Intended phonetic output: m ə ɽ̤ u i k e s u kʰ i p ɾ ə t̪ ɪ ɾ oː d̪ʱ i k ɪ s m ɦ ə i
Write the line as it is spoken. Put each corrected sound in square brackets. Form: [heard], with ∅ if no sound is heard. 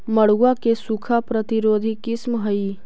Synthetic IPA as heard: m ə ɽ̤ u [a] k e s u kʰ [a] p ɾ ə t̪ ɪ ɾ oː d̪ʱ i k ɪ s m ɦ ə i